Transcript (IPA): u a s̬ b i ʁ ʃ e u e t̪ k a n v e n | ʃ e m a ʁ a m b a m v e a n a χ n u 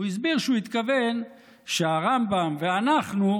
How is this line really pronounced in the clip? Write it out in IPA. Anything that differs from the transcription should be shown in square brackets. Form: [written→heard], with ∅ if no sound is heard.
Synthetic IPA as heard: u [a→i] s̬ b i ʁ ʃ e u [e→i] t̪ k a [n→∅] v e n | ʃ e [m→∅] a ʁ a m b a m v e a n a χ n u